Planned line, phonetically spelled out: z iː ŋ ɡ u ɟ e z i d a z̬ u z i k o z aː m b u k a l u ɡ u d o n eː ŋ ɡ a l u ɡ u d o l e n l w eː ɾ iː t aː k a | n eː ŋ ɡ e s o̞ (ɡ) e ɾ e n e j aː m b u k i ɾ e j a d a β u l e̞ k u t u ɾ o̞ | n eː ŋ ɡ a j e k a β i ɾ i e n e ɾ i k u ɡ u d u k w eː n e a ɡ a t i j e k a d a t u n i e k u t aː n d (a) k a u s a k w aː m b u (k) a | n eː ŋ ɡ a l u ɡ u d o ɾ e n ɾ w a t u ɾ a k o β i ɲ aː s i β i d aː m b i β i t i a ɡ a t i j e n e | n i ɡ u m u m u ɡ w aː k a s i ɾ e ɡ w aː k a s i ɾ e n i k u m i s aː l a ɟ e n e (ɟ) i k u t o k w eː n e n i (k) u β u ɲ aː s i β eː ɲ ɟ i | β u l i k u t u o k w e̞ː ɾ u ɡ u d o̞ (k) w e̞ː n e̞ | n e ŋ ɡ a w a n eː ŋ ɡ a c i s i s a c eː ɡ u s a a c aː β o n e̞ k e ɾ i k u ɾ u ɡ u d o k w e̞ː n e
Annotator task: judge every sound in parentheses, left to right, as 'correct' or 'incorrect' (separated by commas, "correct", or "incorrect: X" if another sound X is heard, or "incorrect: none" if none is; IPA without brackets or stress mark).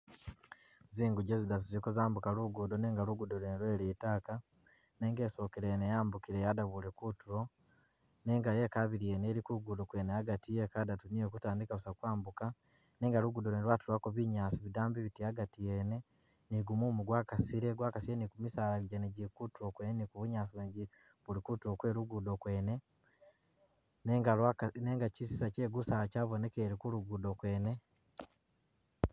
incorrect: k, incorrect: i, correct, correct, correct, correct